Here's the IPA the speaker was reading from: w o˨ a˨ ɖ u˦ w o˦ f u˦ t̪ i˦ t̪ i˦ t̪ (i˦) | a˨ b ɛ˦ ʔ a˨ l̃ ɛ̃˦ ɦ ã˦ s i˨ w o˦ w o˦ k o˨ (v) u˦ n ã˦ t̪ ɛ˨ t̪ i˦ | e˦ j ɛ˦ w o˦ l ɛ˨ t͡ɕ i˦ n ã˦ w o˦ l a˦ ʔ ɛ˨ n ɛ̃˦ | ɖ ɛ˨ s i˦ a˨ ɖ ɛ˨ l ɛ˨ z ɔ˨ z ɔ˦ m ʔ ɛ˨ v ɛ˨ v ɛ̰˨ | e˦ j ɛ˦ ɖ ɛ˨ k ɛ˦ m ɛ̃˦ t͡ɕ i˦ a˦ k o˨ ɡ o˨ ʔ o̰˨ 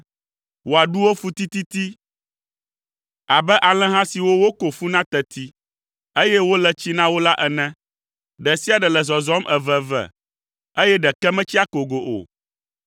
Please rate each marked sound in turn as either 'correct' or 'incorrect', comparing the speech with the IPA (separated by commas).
correct, incorrect